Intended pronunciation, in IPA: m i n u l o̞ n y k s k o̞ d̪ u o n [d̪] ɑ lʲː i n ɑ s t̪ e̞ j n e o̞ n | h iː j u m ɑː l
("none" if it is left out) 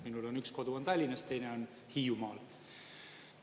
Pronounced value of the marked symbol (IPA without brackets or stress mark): t̪